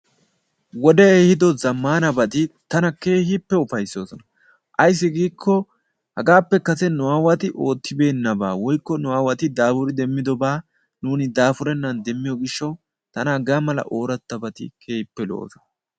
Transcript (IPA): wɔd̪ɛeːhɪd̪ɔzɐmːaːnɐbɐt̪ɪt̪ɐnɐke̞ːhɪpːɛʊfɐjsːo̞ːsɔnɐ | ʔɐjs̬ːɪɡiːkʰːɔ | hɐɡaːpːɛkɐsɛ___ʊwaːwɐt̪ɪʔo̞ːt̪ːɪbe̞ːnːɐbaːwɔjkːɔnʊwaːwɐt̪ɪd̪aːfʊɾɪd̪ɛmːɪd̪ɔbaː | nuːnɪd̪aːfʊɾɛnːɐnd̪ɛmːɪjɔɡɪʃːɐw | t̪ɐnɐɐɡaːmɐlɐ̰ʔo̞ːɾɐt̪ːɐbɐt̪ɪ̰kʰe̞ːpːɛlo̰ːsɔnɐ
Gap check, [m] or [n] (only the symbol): n